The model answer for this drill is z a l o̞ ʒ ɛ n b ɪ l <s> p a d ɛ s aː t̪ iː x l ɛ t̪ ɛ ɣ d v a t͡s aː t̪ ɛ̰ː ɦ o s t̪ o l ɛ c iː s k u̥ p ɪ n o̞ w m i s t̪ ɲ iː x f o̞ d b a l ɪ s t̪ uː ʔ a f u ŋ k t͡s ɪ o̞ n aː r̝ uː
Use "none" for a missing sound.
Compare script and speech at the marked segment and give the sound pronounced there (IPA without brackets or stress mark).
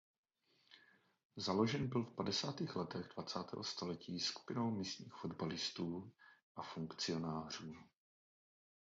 f